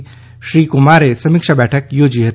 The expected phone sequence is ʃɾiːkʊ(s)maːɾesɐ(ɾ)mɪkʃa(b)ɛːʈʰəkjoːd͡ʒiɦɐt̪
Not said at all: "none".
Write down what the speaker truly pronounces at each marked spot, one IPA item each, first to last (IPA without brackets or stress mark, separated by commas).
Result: none, none, b